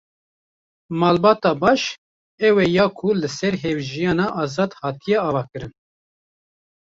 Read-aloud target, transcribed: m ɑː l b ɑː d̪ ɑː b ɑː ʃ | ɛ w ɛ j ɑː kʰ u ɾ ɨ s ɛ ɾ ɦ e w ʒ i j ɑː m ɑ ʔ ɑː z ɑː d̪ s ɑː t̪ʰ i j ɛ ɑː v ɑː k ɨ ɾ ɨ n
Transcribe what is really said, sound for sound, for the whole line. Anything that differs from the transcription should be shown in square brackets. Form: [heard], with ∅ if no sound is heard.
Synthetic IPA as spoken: m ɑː l b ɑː [t̪] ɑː b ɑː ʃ | ɛ w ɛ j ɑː kʰ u [l] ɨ s ɛ ɾ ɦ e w ʒ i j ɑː [n] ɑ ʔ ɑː z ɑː d̪ [h] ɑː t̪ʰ i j ɛ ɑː v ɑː k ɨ ɾ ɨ n